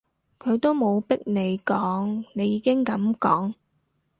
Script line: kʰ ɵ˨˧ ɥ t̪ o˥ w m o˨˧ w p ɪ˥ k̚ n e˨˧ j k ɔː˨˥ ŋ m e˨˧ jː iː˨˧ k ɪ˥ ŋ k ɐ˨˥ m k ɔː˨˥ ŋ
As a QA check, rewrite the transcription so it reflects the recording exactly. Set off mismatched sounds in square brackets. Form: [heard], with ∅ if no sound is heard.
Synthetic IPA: kʰ ɵ˨˧ ɥ t̪ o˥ w m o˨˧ w p ɪ˥ k̚ n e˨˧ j k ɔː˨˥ ŋ [n] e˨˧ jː iː˨˧ k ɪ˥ ŋ k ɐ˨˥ m k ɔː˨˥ ŋ